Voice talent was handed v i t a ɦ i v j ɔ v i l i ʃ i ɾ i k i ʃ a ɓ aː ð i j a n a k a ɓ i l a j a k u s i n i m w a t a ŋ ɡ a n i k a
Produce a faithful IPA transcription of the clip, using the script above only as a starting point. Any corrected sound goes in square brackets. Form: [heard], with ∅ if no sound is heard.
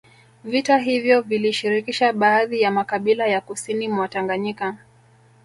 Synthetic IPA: v i t a ɦ i v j ɔ v i l i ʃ i ɾ i k i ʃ a ɓ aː ð i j a [m] a k a ɓ i l a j a k u s i n i m w a t a ŋ ɡ a [ɲ] i k a